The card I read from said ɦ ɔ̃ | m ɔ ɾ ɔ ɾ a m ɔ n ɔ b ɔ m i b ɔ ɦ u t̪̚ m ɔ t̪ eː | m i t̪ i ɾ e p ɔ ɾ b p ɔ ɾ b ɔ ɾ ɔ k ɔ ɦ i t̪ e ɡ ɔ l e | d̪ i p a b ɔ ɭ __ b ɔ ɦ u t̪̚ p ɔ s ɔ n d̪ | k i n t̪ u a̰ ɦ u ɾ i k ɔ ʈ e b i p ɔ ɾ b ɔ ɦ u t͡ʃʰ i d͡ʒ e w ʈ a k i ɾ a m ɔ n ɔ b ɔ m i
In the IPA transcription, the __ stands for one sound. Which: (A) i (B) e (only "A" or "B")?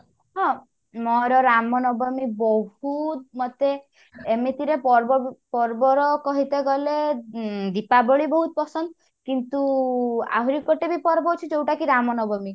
A